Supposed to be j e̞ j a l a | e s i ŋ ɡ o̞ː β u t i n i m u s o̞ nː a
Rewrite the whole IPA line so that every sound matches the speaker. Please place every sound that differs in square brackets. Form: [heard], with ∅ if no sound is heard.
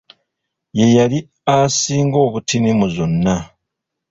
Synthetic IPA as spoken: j e̞ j a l [i] | [a] s [iː] ŋ ɡ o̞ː β u t i n i m u [z] o̞ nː a